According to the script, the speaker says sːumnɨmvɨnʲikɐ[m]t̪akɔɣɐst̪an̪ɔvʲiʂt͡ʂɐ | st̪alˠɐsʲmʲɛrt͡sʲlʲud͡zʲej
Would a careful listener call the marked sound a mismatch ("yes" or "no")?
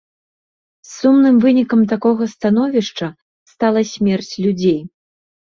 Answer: no